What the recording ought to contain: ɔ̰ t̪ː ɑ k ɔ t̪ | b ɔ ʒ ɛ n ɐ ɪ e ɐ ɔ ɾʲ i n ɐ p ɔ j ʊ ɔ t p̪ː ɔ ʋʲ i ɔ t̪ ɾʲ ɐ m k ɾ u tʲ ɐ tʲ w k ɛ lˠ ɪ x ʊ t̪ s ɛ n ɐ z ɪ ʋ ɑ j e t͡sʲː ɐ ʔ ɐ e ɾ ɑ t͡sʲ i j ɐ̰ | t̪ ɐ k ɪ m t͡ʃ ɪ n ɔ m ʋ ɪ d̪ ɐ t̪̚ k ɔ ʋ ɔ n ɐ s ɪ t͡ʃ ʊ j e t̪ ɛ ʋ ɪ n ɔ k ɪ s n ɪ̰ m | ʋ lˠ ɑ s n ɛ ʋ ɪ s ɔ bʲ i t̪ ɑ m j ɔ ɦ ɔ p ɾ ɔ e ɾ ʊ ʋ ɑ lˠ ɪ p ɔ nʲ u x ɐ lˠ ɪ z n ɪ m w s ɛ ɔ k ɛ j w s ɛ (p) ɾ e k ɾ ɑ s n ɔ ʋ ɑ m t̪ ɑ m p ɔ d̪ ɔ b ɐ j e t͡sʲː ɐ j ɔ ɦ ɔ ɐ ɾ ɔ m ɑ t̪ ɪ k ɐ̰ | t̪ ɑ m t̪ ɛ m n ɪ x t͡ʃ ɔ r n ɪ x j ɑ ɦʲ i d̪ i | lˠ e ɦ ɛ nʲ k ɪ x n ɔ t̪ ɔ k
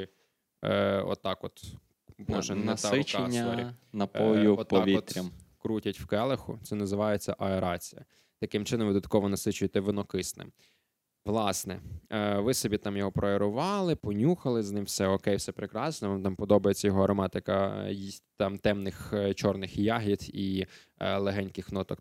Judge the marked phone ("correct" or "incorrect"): correct